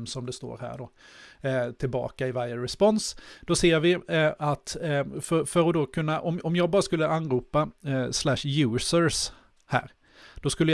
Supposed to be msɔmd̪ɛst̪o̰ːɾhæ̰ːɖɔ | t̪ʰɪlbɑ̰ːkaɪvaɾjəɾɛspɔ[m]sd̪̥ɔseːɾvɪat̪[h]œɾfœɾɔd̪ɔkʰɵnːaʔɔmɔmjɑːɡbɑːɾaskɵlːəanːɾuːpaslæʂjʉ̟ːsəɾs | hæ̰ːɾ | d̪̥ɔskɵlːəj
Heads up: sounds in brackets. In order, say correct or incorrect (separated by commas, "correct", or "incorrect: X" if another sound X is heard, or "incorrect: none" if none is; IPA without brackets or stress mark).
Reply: incorrect: n, incorrect: f